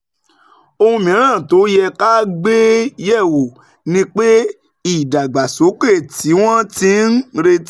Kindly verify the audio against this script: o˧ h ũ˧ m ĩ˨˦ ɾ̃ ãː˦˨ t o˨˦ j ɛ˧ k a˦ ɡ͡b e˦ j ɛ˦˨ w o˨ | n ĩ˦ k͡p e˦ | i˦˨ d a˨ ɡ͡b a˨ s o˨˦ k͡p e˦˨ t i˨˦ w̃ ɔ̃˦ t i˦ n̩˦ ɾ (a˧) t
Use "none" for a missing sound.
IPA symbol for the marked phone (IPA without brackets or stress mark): e˧